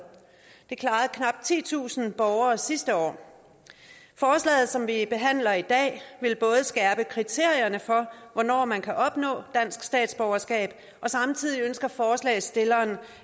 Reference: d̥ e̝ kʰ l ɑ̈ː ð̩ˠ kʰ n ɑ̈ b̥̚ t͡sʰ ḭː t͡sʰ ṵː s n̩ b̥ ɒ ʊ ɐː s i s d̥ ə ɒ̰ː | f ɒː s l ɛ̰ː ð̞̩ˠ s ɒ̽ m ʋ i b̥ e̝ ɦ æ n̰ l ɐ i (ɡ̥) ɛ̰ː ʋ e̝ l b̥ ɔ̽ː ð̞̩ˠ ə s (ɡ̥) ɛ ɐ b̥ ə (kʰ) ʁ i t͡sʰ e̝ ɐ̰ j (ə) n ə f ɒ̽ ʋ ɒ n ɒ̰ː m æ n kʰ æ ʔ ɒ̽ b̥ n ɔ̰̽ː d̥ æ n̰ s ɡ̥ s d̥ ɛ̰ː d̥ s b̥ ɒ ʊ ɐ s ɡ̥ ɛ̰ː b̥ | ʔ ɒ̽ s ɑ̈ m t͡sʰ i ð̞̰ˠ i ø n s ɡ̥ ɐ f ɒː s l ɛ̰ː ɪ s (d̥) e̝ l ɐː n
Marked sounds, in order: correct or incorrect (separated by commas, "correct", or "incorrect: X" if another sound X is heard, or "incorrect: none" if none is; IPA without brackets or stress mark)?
incorrect: d̥, correct, correct, incorrect: ɐ, correct